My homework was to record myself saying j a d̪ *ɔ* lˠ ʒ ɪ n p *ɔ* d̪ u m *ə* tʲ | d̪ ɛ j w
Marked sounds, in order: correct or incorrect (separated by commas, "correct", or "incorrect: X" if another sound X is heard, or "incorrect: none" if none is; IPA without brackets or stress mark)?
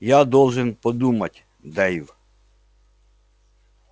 correct, correct, incorrect: ɐ